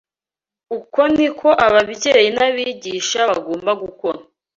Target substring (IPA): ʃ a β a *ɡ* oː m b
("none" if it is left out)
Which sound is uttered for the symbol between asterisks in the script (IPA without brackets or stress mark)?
ɡ